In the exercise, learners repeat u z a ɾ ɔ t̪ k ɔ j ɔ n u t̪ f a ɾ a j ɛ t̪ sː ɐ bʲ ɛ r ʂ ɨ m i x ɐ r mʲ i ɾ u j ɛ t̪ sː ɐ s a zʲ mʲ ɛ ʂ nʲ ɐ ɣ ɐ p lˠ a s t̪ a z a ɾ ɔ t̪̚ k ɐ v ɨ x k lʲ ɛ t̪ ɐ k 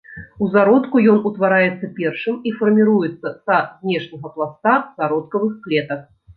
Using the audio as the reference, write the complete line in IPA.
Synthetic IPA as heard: u z a ɾ ɔ t̪ k u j ɔ n u t̪ v a ɾ a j ɛ t̪ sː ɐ pʲ ɛ r ʂ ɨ m i f ɐ r mʲ i ɾ u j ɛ t̪ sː ɐ s a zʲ nʲ ɛ ʂ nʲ ɐ ɣ ɐ p lˠ a s t̪ a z a ɾ ɔ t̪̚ k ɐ v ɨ x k lʲ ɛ t̪ ɐ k

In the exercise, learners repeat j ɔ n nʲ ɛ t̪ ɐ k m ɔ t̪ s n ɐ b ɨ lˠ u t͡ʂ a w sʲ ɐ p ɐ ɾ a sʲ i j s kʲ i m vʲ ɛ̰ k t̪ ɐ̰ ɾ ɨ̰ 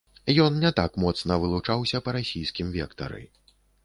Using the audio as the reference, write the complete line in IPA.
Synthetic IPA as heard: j ɔ n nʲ ɛ t̪ a k m ɔ t̪ s n ɐ v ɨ lˠ u t͡ʂ a w sʲ ɐ p ɐ ɾ a sʲ i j s kʲ i m vʲ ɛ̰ k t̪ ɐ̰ ɾ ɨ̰

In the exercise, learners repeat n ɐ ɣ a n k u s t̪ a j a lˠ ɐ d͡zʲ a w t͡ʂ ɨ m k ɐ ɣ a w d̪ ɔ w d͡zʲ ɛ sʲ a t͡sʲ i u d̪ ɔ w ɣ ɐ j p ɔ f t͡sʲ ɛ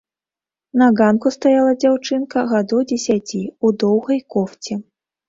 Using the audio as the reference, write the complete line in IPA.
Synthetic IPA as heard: n ɐ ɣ a n k u s t̪ a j a lˠ ɐ d͡zʲ a w t͡ʂ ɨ n k ɐ ɣ a d̪ ɔ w d͡zʲ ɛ sʲ a t͡sʲ i u d̪ ɔ w ɣ ɐ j k ɔ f t͡sʲ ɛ

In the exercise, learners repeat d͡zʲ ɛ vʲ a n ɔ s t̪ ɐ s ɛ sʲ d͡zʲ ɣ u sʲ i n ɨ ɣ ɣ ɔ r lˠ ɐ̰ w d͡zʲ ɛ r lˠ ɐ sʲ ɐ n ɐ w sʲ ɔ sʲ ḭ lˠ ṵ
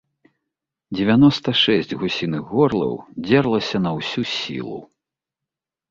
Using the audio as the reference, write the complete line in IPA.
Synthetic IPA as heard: d͡zʲ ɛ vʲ a n ɔ s t̪ ɐ ʂ ɛ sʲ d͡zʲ ɣ u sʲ i n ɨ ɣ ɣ ɔ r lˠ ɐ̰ w d͡zʲ ɛ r lˠ ɐ sʲ ɐ n ɐ w sʲ u sʲ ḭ lˠ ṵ

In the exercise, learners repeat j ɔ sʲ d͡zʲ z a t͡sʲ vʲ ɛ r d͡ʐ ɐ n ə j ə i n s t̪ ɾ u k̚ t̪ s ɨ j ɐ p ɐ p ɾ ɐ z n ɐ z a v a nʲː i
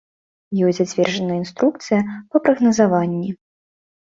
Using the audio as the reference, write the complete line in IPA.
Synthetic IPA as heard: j ɔ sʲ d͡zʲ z a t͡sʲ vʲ ɛ r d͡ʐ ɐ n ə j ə i n s t̪ ɾ u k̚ t̪ s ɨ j ɐ p ɐ p ɾ ɐ ɣ n ɐ z a v a nʲː i

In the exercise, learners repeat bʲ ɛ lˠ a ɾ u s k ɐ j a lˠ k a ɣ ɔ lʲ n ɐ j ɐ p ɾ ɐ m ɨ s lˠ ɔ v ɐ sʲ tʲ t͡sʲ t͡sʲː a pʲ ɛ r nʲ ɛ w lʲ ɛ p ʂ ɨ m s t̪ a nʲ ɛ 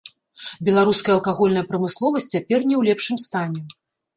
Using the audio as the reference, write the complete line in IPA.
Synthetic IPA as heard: bʲ ɛ lˠ a ɾ u s k ɐ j ɐ lˠ k a ɣ ɔ lʲ n ɐ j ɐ p ɾ ɐ m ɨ s lˠ ɔ v ɐ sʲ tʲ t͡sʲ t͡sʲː a pʲ ɛ r nʲ ɛ w lʲ ɛ p ʂ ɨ m s t̪ a nʲ ɛ

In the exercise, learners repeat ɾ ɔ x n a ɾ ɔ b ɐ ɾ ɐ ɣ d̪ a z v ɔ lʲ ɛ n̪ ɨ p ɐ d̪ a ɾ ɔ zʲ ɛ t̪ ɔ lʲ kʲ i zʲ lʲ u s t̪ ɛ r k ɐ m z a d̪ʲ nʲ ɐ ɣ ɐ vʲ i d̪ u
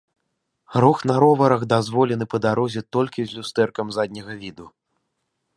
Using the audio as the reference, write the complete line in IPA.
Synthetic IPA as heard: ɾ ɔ x n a ɾ ɔ v ɐ ɾ ɐ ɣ d̪ a z v ɔ lʲ ɛ n̪ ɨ p ɐ d̪ a ɾ ɔ zʲ ɛ t̪ ɔ lʲ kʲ i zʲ lʲ u s t̪ ɛ r k ɐ m z a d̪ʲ nʲ ɐ ɣ ɐ vʲ i d̪ u

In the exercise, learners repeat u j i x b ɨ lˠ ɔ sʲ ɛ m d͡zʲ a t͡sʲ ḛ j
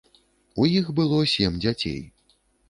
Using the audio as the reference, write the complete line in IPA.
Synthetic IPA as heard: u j i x b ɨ lˠ ɔ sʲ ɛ m d͡zʲ a t͡sʲ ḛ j

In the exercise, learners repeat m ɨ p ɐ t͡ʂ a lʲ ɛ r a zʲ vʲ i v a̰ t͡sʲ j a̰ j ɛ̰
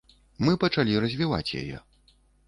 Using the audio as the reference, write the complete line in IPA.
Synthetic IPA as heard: m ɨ p ɐ t͡ʂ a lʲ i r ɐ zʲ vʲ i v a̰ t͡sʲ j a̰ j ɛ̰

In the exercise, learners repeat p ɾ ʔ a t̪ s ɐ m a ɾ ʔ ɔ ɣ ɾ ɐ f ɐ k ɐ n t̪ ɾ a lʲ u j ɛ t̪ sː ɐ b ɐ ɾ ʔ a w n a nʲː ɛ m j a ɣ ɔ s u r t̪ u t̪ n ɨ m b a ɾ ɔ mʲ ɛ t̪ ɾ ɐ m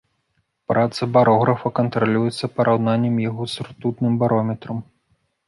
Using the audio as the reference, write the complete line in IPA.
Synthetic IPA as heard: p ɾ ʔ a t̪ s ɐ b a ɾ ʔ ɔ ɣ ɾ ɐ f ɐ k ɐ n t̪ ɾ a lʲ u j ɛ t̪ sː ɐ p ɐ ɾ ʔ a w n a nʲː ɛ m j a ɣ ɔ s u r t̪ u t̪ n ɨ m b a ɾ ɔ mʲ ɛ t̪ ɾ ɐ m

